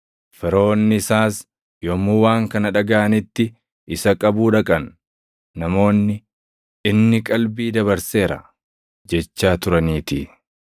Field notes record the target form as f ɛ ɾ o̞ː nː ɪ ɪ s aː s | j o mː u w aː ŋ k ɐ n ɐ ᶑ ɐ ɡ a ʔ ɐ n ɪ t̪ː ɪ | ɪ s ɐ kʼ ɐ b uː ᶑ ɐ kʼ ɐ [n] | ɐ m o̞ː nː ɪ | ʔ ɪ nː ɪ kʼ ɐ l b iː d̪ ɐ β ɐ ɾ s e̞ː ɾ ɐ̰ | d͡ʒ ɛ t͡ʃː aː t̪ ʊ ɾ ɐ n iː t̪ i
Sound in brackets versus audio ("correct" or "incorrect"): incorrect